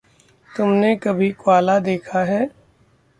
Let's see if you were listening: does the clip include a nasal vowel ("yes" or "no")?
no